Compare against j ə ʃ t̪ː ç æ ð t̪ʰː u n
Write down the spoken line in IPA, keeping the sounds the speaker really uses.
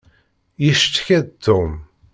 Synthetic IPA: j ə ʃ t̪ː ç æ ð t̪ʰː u m